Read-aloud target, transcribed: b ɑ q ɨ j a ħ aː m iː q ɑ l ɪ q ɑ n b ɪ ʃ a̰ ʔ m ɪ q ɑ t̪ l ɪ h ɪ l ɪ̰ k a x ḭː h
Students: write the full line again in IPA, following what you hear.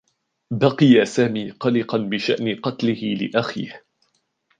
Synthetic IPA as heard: b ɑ q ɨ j a s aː m iː q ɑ l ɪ q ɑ n b ɪ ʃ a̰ ʔ n ɪ q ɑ t̪ l ɪ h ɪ l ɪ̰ ʔ a x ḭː h